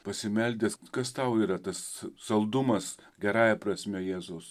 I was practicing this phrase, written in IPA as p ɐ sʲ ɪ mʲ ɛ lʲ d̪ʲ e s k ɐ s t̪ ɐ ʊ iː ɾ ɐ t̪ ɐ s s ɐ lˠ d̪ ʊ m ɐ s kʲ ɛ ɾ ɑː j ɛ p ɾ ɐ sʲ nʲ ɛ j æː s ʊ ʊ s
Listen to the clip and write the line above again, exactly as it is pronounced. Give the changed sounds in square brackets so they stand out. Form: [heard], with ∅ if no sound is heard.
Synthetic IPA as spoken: p ɐ sʲ ɪ mʲ ɛ lʲ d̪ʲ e s k ɐ s t̪ ɐ ʊ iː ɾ ɐ t̪ ɐ s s ɐ lˠ d̪ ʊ m ɐ s [ɡʲ] ɛ ɾ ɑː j ɛ p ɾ ɐ sʲ [mʲ] ɛ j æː [z] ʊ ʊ s